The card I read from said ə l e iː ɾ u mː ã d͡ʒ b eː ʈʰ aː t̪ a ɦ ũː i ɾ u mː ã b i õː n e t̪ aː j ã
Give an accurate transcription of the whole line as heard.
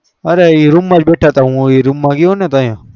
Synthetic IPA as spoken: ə ɾ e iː ɾ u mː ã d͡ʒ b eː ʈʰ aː t̪ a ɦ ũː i ɾ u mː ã ɡ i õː n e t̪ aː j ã